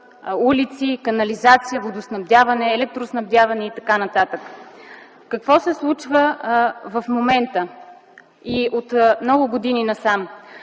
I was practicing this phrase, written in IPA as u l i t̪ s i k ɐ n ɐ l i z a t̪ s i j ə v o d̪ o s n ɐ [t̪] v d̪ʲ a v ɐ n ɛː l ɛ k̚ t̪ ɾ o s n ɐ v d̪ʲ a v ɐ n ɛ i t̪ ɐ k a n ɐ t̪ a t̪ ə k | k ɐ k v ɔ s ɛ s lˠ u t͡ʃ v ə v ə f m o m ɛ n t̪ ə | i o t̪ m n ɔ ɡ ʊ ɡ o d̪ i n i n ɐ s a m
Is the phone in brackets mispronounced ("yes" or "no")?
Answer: yes